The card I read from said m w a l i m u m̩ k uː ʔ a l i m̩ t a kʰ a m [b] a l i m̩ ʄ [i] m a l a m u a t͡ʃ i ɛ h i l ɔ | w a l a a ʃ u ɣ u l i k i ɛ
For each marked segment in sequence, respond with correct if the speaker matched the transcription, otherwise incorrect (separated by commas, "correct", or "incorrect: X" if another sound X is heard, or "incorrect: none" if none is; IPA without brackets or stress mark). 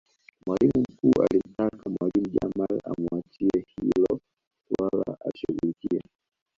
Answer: incorrect: w, incorrect: a